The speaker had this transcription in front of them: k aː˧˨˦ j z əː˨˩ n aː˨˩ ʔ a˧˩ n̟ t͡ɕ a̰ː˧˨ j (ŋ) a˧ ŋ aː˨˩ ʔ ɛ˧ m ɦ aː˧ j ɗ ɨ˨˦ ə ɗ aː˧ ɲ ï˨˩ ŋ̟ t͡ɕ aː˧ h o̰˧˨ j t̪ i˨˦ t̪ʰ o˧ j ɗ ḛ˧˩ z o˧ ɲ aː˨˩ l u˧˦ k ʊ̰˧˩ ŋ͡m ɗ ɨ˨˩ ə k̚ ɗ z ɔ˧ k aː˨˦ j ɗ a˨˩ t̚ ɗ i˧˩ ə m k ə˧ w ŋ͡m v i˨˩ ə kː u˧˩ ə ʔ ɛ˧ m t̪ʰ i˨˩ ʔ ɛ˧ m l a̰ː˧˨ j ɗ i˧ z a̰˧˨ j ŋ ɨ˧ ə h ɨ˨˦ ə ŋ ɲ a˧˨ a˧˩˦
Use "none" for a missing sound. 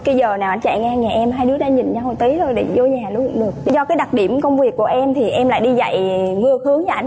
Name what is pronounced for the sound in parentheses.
ŋ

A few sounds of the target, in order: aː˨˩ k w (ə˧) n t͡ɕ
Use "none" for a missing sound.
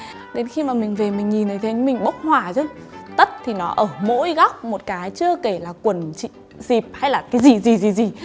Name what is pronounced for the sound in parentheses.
ə˨˩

